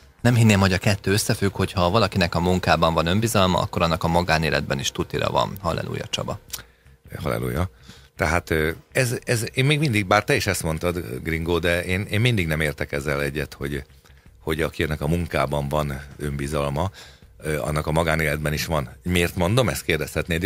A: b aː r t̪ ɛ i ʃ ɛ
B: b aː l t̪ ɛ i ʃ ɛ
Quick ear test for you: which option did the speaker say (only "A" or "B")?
A